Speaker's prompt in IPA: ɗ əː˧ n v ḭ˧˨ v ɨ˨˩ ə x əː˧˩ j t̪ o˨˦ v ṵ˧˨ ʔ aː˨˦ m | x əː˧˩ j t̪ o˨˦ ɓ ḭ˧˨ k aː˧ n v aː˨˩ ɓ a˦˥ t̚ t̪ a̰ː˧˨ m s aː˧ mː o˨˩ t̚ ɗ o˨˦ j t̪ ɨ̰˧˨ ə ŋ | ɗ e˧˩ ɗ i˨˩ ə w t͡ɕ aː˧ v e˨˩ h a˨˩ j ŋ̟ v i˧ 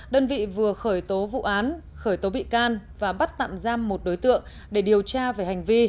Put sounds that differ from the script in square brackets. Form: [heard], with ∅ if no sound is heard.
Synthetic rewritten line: ɗ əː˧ n v ḭ˧˨ v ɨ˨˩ ə x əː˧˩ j t̪ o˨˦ v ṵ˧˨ ʔ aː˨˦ [n] | x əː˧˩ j t̪ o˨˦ ɓ ḭ˧˨ k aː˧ n v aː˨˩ ɓ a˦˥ t̚ t̪ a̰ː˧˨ m [z] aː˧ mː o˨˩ t̚ ɗ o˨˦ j t̪ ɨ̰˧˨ ə ŋ | ɗ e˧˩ ɗ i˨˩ ə w t͡ɕ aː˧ v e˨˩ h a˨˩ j ŋ̟ v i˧